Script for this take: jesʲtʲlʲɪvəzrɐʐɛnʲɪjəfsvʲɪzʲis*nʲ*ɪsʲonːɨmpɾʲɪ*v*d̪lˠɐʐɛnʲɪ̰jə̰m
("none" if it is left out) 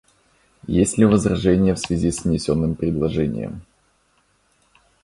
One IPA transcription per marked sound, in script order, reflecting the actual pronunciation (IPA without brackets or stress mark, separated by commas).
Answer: nʲ, none